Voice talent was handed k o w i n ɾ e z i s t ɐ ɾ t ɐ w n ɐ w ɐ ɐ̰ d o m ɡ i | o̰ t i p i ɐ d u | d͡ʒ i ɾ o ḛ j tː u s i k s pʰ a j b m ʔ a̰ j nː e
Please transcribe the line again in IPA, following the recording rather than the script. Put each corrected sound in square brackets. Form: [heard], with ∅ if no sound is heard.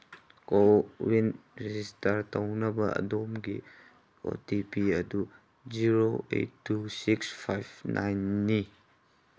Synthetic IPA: k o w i n ɾ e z i s t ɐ ɾ t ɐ w n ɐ [b] ɐ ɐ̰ d o m ɡ i | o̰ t i p i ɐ d u | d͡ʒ i ɾ o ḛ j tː u s i k s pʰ a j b [n] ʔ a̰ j nː [i]